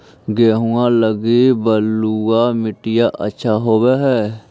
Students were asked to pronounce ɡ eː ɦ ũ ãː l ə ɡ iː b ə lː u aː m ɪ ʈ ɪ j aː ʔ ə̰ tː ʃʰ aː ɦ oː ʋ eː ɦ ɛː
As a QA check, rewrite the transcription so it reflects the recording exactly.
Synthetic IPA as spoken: ɡ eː ɦ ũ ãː l ə ɡ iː b ə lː u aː m ɪ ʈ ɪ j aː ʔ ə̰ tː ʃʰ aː ɦ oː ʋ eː ɦ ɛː